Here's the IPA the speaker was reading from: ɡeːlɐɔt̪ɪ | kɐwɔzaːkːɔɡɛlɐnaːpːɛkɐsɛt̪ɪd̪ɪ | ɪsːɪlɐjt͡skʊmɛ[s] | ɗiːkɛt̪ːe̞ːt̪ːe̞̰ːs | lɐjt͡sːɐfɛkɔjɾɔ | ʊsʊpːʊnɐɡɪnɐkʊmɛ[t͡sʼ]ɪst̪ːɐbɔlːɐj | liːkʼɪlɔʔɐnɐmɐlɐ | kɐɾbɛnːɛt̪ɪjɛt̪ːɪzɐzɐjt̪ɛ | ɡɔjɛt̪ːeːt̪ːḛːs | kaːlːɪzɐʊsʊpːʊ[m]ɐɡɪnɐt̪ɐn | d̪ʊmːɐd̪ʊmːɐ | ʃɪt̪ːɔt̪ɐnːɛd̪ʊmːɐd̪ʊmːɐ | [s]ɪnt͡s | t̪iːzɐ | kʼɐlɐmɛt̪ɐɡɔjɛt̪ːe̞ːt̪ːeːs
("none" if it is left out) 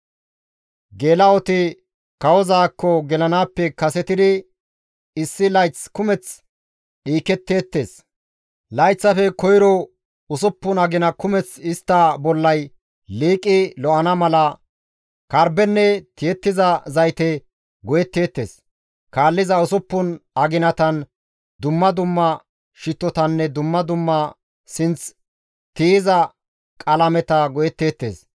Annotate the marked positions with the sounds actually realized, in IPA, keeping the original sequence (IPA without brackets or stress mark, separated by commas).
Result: t͡s, t͡s, n, s